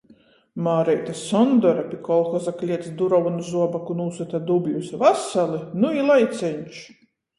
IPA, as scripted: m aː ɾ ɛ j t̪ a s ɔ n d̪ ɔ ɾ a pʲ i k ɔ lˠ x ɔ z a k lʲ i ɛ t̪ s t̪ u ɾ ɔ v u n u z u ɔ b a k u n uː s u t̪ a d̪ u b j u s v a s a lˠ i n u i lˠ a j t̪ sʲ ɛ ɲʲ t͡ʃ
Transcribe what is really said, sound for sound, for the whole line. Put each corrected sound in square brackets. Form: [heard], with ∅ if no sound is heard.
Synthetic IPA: m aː ɾ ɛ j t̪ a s ɔ n d̪ ɔ ɾ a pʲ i k ɔ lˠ x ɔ z a k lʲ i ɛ t̪ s [d̪] u ɾ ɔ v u n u z u ɔ b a k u n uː s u t̪ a d̪ u b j u s v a s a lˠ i n u i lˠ a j t̪ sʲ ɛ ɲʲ t͡ʃ